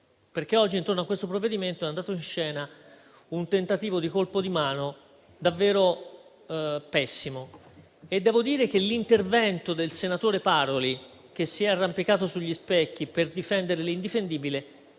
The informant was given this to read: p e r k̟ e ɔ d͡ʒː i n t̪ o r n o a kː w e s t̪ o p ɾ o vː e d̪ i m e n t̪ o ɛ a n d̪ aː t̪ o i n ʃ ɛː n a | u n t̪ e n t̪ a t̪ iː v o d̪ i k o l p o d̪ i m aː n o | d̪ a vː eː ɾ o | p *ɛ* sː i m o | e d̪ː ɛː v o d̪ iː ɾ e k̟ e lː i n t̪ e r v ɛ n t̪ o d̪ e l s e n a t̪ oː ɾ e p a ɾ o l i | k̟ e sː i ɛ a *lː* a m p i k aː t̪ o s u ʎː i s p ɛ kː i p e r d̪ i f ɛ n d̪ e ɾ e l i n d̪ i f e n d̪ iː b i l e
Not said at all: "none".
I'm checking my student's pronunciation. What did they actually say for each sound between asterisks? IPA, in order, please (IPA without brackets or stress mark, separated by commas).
ɛ, rː